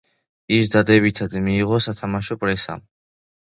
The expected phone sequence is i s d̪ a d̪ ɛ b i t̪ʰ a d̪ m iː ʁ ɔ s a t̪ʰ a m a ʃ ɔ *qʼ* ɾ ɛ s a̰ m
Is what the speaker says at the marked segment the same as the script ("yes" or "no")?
no